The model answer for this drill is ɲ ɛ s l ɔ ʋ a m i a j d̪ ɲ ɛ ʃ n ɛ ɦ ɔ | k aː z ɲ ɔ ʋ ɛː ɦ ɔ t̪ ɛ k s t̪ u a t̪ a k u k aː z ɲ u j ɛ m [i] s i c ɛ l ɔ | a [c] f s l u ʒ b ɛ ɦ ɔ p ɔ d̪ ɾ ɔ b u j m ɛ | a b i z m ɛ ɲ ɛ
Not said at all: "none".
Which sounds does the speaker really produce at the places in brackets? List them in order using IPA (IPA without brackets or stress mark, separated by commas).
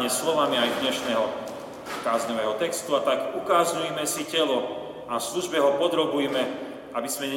ɛ, none